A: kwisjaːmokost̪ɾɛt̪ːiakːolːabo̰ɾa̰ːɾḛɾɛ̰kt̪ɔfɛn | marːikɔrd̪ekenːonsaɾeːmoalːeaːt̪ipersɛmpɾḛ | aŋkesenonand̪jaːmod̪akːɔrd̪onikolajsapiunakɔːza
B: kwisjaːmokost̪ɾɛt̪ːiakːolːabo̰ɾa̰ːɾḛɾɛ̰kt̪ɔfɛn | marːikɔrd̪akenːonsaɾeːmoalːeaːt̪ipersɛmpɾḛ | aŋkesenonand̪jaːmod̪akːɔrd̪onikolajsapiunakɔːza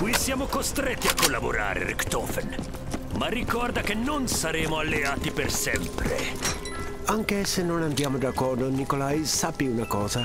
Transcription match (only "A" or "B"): B